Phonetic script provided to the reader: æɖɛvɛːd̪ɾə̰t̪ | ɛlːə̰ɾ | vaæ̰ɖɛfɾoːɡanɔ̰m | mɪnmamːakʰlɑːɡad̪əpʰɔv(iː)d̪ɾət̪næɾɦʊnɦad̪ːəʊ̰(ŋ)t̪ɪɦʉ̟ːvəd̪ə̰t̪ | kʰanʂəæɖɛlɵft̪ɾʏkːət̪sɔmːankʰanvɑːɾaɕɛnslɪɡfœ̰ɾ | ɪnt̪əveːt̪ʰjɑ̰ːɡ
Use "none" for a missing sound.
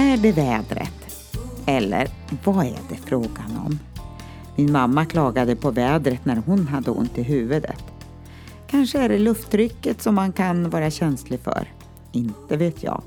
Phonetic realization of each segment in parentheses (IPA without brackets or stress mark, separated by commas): ɛː, n